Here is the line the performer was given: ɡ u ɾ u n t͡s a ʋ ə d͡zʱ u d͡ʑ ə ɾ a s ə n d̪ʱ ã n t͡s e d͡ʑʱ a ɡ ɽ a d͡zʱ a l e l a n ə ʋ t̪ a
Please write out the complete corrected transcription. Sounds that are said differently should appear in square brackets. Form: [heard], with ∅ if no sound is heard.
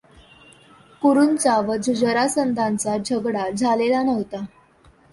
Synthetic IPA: [k] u ɾ u n t͡s a ʋ ə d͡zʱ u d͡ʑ ə ɾ a s ə n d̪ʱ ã n t͡s [a] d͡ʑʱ [ə] ɡ ɽ a d͡zʱ a l e l a n ə ʋ t̪ a